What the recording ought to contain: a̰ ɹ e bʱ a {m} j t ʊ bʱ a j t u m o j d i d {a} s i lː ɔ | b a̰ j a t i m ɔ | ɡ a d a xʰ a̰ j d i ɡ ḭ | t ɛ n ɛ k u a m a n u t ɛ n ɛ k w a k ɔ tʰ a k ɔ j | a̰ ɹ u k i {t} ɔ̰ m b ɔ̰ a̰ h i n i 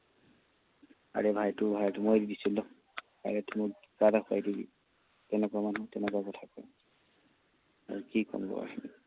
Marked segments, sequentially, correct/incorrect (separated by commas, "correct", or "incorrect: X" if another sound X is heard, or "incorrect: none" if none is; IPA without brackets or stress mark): incorrect: none, incorrect: i, incorrect: k